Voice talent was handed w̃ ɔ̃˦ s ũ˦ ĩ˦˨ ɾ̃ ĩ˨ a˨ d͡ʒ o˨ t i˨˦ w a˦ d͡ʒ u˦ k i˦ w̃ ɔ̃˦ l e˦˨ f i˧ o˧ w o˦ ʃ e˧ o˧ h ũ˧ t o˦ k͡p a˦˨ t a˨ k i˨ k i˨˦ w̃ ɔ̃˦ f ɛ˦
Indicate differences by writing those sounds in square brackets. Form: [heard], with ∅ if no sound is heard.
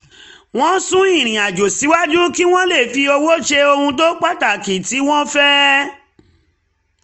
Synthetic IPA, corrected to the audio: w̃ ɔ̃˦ s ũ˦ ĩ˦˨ ɾ̃ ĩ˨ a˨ d͡ʒ o˨ [s] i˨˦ w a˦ d͡ʒ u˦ k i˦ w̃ ɔ̃˦ l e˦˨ f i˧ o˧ w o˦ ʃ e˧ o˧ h ũ˧ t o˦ k͡p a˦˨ t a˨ k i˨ [t] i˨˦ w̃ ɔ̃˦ f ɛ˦